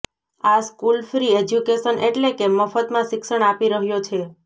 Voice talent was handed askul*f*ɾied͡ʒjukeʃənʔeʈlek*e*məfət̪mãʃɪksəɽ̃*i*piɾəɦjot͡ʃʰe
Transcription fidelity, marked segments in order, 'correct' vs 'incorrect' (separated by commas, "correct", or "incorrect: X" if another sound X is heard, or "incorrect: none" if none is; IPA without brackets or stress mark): correct, correct, incorrect: a